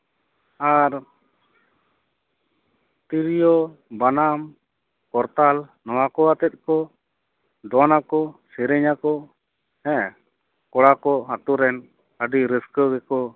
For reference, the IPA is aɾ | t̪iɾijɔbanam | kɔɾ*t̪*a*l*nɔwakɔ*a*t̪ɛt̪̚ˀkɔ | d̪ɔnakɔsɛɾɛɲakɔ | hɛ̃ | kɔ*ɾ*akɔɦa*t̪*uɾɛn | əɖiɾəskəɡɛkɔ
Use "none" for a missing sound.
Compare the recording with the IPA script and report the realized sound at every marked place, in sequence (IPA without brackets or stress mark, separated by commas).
t̪, l, a, ɽ, t̪